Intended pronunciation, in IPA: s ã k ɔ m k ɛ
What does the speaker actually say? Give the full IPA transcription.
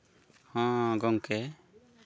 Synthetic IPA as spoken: h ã ɡ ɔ ŋ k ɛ